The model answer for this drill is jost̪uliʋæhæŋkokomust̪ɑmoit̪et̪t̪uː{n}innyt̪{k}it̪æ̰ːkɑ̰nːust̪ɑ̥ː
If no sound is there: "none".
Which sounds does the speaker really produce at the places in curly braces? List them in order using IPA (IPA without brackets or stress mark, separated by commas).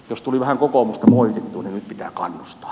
n, p